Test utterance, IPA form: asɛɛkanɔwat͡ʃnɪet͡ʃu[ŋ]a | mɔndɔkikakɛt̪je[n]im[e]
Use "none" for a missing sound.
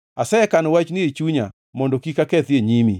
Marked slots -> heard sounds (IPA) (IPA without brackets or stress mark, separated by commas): ɲ, ɲ, i